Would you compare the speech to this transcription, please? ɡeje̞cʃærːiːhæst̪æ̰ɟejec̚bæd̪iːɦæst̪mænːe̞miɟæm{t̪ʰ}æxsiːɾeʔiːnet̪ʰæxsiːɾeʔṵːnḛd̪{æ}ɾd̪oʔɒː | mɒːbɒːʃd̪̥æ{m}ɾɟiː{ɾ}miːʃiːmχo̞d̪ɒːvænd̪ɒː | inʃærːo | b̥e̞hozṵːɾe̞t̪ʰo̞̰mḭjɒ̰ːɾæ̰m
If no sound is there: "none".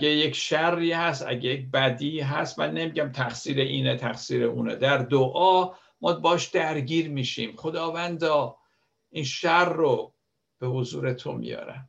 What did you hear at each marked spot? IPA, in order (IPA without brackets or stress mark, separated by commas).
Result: t̪ʰ, æ, none, ɾ